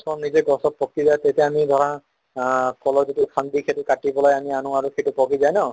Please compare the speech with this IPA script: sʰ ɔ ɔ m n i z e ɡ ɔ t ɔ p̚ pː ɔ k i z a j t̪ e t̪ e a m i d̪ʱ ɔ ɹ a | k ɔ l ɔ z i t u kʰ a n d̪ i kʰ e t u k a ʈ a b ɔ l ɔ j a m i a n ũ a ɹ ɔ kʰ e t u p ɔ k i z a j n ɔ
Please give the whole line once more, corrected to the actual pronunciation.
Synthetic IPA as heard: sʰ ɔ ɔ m n i z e ɡ ɔ s ɔ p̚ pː ɔ k i z a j t̪ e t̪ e a m i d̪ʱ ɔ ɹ a | k ɔ l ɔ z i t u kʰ a n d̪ i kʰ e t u k a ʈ i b ɔ l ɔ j a m i a n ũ a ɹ u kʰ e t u p ɔ k i z a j n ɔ

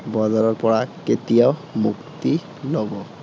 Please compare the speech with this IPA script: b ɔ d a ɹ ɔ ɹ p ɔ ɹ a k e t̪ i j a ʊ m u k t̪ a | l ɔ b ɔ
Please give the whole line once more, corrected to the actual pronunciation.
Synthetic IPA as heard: b ɔ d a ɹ ɔ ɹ p ɔ ɹ a k e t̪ i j a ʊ m u k t̪ i | l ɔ b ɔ

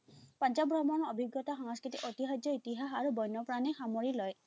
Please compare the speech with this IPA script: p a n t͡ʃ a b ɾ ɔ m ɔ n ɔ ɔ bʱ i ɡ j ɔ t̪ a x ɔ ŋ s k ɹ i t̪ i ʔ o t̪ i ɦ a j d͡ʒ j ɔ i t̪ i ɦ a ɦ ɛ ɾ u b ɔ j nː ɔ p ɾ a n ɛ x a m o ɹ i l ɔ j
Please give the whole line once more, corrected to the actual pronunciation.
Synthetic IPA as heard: p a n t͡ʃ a b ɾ ɔ m ɔ n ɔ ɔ bʱ i ɡ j ɔ t̪ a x ɔ ŋ s k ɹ i t̪ i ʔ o t̪ i ɦ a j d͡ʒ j ɔ i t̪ i ɦ a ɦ a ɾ u b ɔ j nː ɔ p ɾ a n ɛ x a m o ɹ i l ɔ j

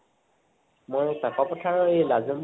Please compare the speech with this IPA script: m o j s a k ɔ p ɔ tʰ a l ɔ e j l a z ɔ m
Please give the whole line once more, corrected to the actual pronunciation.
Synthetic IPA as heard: m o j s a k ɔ p ɔ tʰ a ɹ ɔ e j l a z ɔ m

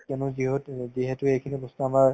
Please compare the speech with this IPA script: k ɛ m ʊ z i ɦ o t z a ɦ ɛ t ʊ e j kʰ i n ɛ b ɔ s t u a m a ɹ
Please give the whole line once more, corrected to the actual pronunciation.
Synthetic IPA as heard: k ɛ n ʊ z i ɦ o t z i ɦ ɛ t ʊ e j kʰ i n i b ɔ s t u a m a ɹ

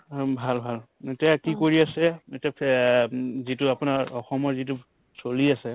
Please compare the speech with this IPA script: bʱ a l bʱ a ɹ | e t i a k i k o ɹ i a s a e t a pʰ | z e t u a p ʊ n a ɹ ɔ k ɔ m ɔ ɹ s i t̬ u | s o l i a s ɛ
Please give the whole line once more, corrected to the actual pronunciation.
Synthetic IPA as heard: bʱ a l bʱ a l | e t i a k i k o ɹ i a s ɛ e t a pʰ | z i t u a p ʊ n a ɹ ɔ x ɔ m ɔ ɹ z i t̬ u | s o l i a s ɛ

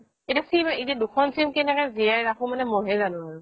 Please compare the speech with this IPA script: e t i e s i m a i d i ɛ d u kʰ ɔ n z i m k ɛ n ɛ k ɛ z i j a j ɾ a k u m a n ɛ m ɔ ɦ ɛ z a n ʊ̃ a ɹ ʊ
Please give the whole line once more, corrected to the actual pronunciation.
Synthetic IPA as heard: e t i a s i m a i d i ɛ d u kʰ ɔ n s i m k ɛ n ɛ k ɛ z i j a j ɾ a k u m a n ɛ m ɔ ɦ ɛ z a n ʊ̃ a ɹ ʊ

